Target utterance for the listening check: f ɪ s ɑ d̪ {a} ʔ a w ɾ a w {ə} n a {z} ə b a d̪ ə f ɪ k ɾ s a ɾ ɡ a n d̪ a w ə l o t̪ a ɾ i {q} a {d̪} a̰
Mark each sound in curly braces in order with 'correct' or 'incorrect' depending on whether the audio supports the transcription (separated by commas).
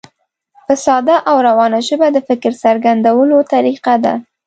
correct, incorrect, incorrect, correct, correct